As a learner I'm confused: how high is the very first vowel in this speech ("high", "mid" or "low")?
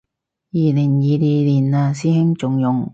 high